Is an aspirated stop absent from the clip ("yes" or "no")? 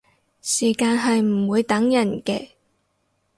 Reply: yes